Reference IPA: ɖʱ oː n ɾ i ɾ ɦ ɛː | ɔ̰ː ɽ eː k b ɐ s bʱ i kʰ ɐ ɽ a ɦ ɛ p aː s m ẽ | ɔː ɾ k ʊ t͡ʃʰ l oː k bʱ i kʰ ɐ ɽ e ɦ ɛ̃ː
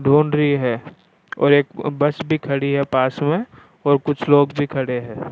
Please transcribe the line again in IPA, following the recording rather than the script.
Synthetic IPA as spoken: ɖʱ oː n ɾ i ɦ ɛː | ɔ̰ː ɾ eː k b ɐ s bʱ i kʰ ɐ ɽ i ɦ ɛ p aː s m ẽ | ɔː ɾ k ʊ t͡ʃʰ l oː ɡ bʱ i kʰ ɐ ɽ e ɦ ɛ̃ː